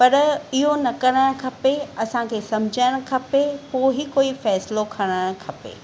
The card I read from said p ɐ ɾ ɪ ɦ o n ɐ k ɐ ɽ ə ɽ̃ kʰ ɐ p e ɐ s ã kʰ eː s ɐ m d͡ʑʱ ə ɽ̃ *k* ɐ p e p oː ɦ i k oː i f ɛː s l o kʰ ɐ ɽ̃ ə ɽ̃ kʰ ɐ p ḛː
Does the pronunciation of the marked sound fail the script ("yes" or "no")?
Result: yes